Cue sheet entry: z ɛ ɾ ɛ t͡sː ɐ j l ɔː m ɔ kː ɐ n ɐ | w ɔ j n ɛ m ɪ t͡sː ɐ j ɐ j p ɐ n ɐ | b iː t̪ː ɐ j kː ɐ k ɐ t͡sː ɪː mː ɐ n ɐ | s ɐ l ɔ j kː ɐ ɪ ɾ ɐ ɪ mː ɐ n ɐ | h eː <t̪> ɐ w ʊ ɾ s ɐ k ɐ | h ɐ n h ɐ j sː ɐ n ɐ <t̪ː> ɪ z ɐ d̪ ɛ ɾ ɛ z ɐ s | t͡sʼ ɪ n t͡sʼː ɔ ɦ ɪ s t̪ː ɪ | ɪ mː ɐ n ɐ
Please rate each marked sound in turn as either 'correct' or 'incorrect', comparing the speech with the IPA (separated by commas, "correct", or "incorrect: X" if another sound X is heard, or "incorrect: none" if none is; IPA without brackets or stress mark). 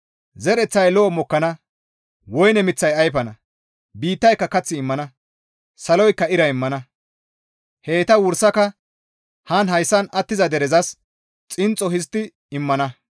correct, correct